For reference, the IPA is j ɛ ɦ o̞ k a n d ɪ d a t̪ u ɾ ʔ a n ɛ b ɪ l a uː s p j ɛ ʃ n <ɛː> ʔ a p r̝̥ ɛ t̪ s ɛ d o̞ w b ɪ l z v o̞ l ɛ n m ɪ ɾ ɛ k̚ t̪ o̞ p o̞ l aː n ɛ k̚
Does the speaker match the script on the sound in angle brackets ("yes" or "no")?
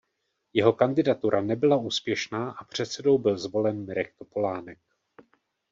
no